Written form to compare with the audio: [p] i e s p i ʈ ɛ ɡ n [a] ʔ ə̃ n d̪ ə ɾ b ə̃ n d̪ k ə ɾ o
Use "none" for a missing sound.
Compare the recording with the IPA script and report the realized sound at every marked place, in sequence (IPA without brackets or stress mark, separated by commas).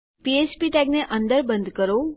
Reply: p, e